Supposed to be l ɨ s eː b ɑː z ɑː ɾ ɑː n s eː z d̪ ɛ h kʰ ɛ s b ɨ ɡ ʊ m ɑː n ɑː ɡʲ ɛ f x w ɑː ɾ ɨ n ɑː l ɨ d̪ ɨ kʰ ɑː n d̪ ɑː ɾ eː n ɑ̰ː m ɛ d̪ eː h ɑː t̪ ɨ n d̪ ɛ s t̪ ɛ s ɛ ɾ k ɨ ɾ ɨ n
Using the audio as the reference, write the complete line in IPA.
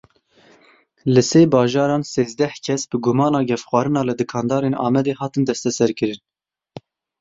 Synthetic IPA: l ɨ s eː b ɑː ʒ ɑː ɾ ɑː n s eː z d̪ ɛ h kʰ ɛ s b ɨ ɡ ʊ m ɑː n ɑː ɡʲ ɛ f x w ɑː ɾ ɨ n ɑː l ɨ d̪ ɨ kʰ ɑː n d̪ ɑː ɾ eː n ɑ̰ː m ɛ d̪ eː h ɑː t̪ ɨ n d̪ ɛ s t̪ ɛ s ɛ ɾ k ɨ ɾ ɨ n